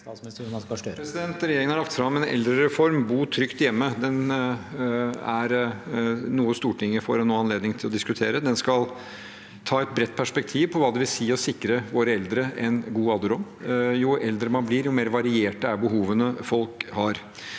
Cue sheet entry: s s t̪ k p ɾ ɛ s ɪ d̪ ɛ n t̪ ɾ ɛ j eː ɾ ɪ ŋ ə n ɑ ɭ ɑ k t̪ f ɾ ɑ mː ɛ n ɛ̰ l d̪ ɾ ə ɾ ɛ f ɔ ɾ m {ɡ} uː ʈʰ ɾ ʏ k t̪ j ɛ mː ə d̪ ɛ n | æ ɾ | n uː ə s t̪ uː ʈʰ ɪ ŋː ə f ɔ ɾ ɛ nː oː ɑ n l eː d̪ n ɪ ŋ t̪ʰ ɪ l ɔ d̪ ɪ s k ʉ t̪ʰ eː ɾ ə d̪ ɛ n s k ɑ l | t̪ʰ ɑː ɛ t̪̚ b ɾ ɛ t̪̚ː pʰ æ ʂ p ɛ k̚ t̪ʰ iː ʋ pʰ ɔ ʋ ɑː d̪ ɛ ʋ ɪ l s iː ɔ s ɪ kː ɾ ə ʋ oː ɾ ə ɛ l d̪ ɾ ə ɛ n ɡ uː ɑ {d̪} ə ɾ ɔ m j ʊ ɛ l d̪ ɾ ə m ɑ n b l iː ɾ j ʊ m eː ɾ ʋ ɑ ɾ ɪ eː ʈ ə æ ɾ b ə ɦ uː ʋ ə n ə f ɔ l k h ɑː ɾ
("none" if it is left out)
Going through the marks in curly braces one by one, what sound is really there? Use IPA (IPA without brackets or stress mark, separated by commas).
b, d̪